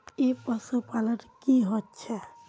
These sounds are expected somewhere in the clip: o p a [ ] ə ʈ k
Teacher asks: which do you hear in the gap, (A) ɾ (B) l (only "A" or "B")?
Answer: B